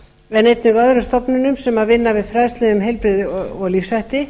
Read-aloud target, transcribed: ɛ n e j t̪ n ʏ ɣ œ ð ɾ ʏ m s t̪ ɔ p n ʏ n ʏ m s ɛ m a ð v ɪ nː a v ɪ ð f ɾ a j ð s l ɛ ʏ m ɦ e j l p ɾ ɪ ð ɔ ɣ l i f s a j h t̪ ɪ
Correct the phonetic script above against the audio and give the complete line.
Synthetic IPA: ɛ n e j t̪ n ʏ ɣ œ ð ɾ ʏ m s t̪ ɔ p n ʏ n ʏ m s ɛ m a ð v ɪ nː a v ɪ ð f ɾ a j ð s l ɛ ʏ m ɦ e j l p ɾ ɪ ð ɔ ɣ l i f s a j h t̪ ɪ